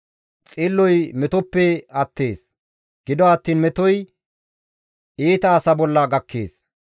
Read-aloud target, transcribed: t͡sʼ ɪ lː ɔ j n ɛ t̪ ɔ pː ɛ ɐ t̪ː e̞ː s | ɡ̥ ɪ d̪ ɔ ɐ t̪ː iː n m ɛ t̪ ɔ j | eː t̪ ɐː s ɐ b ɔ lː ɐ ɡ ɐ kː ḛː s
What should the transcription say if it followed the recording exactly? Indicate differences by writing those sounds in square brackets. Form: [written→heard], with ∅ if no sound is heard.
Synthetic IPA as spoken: t͡sʼ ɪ lː ɔ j [n→m] ɛ t̪ ɔ pː ɛ ɐ t̪ː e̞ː s | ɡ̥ ɪ d̪ ɔ ɐ t̪ː iː n m ɛ t̪ ɔ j | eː t̪ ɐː s ɐ b ɔ lː ɐ ɡ ɐ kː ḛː s